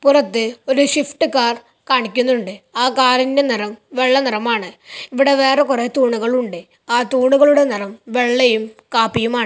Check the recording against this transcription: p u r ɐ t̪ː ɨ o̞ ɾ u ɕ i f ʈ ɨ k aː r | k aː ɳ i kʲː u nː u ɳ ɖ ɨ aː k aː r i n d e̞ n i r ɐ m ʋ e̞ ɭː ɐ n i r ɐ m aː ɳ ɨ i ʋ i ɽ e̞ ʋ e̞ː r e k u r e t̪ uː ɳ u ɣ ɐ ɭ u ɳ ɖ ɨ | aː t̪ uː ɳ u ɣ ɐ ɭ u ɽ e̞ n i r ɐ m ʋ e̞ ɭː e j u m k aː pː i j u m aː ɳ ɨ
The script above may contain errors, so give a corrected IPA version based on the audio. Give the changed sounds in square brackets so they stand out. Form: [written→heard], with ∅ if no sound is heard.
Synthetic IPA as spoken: p u r ɐ t̪ː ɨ o̞ ɾ u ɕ i f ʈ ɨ k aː r | k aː ɳ i kʲː u nː u ɳ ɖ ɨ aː k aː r i n d e̞ n i r ɐ m ʋ e̞ ɭː ɐ n i r ɐ m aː ɳ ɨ i ʋ i ɽ e̞ ʋ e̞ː r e k u r e t̪ uː ɳ u ɣ ɐ ɭ u ɳ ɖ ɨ | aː t̪ uː ɳ u ɣ ɐ ɭ u ɽ e̞ n i r ɐ m ʋ e̞ ɭː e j u m k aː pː i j u m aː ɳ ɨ